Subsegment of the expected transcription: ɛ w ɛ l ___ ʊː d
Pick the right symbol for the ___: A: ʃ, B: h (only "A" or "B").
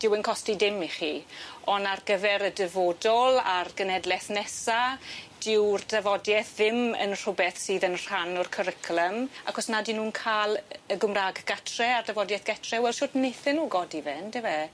A